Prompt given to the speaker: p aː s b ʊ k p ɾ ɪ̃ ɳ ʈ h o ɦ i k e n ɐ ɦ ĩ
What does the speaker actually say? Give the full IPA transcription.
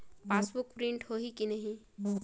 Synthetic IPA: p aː s b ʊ k p ɾ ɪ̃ ɳ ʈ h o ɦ i k i n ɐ ɦ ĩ